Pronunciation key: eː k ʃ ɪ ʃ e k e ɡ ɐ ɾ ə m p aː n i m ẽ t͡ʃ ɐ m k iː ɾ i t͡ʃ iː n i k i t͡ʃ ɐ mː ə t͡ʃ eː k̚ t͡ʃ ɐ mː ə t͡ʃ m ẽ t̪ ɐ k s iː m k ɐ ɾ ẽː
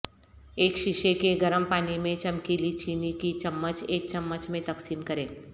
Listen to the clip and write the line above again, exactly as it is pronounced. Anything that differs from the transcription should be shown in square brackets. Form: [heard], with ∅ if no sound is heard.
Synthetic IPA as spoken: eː k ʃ ɪ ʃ e k e ɡ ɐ ɾ ə m p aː n i m ẽ t͡ʃ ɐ m k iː [l] i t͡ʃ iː n i k i t͡ʃ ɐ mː ə t͡ʃ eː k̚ t͡ʃ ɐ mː ə t͡ʃ m ẽ t̪ ɐ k s iː m k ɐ ɾ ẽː